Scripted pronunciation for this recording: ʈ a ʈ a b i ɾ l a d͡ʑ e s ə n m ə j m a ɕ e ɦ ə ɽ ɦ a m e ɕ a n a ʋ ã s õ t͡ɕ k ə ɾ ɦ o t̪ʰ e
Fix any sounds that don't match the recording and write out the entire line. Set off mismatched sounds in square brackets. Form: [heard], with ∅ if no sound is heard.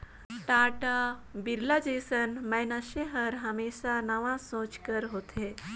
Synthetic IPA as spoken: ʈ a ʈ a b i ɾ l a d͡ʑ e s ə n m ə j [n] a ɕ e ɦ ə [ɾ] ɦ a m e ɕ a n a ʋ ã s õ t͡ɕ k ə ɾ ɦ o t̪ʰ e